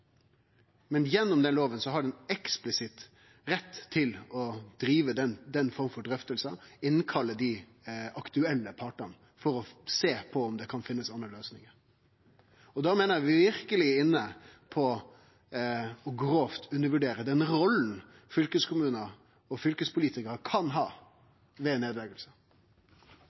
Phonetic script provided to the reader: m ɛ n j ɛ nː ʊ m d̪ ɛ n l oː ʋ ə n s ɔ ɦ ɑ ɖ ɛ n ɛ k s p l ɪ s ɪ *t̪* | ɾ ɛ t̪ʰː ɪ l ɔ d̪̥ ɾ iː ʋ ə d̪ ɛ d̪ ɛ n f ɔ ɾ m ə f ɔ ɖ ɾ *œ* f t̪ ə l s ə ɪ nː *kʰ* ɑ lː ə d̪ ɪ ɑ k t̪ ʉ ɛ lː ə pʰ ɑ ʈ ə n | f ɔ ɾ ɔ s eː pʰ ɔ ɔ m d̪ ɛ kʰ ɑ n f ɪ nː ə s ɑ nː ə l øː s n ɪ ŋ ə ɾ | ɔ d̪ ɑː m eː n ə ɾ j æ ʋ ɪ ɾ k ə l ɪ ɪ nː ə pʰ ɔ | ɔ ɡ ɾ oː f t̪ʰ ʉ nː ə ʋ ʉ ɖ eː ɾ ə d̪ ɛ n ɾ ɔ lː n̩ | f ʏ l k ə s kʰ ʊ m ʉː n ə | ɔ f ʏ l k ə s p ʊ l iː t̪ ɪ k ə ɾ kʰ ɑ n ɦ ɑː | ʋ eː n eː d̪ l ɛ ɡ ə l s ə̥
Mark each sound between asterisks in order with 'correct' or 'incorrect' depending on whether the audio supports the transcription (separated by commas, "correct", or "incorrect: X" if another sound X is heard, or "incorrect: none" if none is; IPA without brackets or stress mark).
correct, correct, correct